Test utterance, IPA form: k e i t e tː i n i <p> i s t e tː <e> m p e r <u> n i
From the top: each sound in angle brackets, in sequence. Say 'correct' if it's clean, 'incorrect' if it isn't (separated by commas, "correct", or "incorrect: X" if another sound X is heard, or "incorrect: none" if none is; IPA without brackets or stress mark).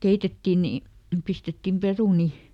correct, incorrect: i, correct